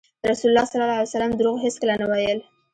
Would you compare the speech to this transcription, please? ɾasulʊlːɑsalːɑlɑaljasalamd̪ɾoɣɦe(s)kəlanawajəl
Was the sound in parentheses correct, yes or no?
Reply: yes